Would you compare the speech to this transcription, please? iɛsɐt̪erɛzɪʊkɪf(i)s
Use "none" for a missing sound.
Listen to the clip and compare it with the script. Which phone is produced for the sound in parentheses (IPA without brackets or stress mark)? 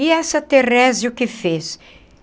e